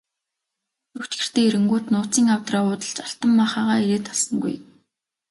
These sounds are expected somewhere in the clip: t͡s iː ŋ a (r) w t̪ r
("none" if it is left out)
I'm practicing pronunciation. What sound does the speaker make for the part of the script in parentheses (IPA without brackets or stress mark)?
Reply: none